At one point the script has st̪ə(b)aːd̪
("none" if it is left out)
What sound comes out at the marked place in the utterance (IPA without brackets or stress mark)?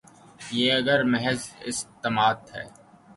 m